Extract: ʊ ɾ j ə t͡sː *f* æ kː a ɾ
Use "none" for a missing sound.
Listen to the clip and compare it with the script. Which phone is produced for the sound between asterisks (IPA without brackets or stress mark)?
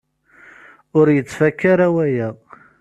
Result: f